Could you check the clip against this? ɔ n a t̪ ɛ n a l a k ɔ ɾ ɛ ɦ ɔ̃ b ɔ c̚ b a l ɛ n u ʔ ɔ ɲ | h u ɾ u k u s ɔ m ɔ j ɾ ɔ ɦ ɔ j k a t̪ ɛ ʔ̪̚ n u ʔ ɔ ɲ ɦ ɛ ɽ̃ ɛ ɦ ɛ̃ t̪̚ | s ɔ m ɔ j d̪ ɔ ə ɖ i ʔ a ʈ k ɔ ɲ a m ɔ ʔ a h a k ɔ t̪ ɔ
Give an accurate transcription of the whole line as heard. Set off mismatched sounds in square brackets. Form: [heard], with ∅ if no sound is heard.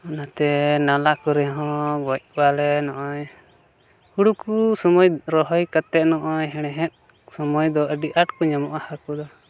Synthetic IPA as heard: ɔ n a t̪ ɛ n a l a k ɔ ɾ ɛ ɦ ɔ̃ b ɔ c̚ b a l ɛ n [ɔ] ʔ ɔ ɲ | h u [ɽ] u k u s ɔ m ɔ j ɾ ɔ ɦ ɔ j k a t̪ ɛ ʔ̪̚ n [ɔ] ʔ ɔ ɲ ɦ ɛ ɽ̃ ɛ ɦ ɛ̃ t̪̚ | s ɔ m ɔ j d̪ ɔ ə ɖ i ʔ a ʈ k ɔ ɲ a m ɔ ʔ a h a k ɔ [d̪] ɔ